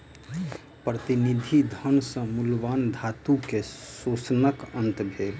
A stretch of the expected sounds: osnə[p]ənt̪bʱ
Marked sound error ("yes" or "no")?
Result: yes